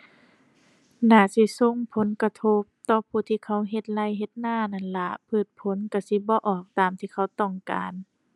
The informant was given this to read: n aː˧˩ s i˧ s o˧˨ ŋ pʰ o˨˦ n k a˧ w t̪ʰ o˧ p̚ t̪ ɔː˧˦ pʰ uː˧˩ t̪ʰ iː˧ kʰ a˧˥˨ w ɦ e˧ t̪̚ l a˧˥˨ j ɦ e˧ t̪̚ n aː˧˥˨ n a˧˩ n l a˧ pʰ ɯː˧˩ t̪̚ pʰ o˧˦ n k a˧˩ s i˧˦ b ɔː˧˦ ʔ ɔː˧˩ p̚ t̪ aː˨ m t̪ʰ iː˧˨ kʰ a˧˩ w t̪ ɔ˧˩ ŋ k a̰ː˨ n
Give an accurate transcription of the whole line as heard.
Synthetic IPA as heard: n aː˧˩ s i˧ s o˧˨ ŋ pʰ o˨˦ n k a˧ t̪ʰ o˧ p̚ t̪ ɔː˧˦ pʰ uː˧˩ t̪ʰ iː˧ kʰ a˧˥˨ w ɦ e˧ t̪̚ l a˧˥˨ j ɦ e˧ t̪̚ n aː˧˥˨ n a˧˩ n l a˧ pʰ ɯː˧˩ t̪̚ pʰ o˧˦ n k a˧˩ s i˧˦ b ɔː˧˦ ʔ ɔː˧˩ k̚ t̪ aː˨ m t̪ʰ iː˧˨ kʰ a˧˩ w t̪ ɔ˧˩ ŋ k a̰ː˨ n